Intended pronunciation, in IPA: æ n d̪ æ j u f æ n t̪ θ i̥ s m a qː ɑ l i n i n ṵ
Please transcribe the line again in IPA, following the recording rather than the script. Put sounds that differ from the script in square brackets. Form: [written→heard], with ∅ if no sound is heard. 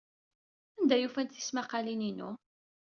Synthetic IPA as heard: æ n d̪ æ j u f æ n t̪ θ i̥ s m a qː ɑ l i n i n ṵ